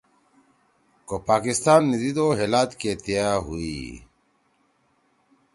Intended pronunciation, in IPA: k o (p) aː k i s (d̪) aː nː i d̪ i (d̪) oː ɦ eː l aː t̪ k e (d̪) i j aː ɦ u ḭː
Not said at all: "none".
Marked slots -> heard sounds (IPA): p, t̪, d̪, t̪

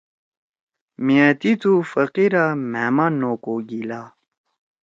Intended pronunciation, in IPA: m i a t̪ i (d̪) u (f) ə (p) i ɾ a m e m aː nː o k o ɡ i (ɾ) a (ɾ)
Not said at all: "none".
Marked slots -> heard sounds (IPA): t̪, f, q, l, none

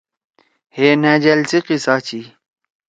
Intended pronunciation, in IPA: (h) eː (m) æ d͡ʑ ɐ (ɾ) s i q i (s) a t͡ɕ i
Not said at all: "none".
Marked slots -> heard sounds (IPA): h, n, l, s

